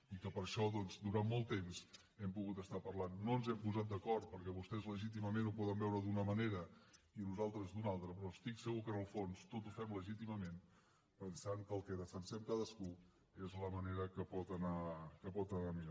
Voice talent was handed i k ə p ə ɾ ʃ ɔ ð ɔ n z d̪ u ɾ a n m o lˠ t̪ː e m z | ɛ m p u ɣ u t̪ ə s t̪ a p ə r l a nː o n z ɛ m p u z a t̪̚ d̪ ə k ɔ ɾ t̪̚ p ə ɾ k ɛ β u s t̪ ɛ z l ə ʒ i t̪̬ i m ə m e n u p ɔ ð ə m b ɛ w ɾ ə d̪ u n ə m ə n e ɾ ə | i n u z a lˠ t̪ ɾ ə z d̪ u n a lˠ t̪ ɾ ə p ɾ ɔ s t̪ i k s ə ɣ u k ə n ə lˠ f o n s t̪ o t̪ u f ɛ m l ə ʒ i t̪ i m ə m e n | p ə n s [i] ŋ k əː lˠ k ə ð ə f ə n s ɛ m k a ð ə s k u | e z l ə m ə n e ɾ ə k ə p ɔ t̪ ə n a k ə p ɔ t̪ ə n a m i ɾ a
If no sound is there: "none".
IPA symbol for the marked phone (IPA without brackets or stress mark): a